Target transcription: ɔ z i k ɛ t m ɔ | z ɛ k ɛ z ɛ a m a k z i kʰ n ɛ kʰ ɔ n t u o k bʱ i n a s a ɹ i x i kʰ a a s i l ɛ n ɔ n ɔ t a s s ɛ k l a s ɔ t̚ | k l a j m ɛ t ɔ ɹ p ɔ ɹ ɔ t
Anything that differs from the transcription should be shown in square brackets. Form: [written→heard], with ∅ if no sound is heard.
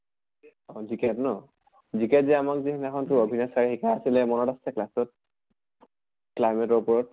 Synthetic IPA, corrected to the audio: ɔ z i k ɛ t [m→n] ɔ | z [ɛ→i] k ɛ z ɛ a m a k z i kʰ n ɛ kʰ ɔ n t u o [k→∅] bʱ i n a s a ɹ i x i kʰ a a s i l ɛ [n→m] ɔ n ɔ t a s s ɛ k l a s ɔ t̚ | k l a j m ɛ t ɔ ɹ p ɔ ɹ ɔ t